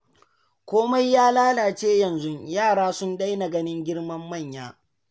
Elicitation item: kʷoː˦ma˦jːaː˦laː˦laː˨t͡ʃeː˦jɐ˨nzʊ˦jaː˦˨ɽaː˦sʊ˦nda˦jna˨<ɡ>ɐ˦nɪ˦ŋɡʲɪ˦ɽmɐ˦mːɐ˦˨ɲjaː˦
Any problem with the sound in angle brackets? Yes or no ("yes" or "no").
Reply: no